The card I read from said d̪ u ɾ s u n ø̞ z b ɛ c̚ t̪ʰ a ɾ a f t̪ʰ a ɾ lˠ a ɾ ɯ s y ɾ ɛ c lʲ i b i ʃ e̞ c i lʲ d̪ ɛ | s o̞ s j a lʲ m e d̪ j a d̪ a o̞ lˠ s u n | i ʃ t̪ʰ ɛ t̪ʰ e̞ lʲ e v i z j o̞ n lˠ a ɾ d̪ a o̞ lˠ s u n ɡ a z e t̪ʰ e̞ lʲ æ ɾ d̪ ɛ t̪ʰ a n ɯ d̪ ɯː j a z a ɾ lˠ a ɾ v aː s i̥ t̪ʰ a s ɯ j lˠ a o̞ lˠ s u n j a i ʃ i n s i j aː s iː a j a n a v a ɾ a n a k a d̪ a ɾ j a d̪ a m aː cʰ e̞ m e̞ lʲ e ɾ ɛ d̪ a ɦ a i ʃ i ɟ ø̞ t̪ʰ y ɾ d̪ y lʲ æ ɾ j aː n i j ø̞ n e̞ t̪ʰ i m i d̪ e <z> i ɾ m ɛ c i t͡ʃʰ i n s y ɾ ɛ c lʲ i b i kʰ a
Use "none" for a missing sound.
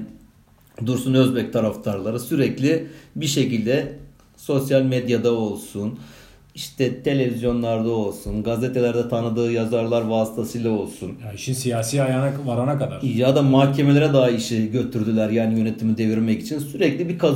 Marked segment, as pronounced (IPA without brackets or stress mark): v